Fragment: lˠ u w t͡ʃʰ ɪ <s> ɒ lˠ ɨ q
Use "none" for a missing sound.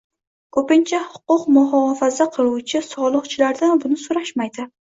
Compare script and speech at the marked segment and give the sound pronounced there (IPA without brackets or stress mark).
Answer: s